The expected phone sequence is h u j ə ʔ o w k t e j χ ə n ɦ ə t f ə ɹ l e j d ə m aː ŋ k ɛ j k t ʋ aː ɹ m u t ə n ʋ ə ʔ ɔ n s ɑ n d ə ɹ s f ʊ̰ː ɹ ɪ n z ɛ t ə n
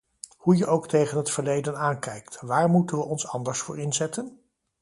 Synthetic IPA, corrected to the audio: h u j ə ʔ o w k t e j χ ə n ɦ ə t f ə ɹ l e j d ə n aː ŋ k ɛ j k t ʋ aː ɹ m u t ə n ʋ ə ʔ ɔ n s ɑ n d ə ɹ s f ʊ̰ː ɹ ɪ n z ɛ t ə n